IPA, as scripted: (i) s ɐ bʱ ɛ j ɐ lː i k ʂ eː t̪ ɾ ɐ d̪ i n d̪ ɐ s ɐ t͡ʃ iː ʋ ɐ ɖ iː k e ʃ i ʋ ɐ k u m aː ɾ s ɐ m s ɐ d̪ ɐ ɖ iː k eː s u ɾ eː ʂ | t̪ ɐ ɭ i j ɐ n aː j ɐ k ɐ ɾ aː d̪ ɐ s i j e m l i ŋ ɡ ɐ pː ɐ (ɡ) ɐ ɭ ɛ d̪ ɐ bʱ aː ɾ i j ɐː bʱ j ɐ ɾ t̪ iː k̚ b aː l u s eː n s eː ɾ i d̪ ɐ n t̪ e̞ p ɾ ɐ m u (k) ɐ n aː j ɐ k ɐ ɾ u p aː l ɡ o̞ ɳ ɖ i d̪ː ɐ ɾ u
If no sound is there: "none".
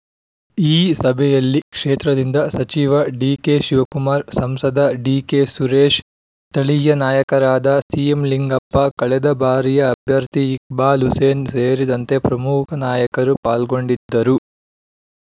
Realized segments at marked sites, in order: iː, k, kʰ

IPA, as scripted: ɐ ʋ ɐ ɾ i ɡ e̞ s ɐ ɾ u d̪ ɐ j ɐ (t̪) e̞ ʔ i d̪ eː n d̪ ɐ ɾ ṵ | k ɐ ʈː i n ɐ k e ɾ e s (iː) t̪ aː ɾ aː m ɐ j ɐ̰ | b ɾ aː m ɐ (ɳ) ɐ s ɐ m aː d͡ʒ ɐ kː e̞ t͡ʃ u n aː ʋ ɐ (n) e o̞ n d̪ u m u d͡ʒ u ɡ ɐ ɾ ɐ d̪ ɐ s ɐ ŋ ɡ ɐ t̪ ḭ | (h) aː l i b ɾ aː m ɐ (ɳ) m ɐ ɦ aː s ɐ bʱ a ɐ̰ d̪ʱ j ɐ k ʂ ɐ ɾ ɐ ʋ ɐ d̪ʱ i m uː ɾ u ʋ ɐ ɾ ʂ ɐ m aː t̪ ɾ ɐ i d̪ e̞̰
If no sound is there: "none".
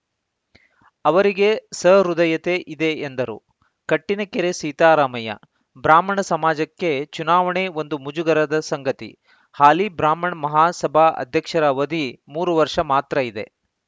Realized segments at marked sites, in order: t̪, iː, ɳ, ɳ, h, ɳ

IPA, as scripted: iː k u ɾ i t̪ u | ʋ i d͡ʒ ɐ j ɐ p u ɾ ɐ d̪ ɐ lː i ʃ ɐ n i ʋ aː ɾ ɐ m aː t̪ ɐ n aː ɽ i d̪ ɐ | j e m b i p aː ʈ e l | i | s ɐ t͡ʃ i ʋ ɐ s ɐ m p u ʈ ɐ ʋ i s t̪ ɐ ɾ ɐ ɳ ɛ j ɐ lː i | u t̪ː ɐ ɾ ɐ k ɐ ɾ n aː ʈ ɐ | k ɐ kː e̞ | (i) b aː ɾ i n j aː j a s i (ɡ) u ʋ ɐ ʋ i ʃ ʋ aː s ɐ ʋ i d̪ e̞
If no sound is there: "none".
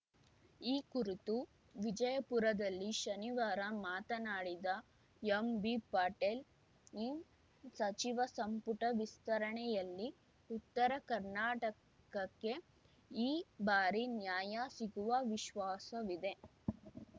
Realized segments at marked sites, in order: iː, ɡ

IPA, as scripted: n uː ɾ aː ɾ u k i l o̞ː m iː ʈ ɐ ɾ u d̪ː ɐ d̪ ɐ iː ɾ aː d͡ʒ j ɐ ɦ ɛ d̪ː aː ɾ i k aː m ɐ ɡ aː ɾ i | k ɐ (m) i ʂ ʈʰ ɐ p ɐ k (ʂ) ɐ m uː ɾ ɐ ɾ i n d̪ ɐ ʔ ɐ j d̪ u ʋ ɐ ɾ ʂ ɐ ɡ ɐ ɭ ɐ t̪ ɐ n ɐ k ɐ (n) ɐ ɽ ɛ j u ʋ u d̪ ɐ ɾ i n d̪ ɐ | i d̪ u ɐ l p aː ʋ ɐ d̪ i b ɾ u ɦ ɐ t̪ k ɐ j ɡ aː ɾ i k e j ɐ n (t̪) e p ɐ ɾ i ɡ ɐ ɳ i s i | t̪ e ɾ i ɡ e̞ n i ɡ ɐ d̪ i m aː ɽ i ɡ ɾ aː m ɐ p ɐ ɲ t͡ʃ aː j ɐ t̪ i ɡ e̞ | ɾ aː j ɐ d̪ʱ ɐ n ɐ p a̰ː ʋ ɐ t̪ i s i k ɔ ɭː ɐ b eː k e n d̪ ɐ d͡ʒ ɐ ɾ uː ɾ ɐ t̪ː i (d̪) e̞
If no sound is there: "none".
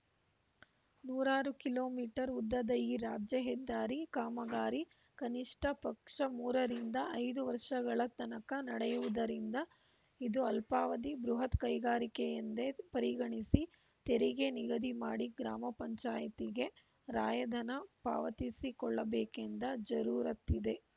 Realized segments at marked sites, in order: n, ʂ, n, d̪, d̪

